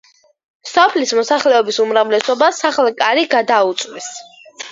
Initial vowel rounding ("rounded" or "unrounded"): rounded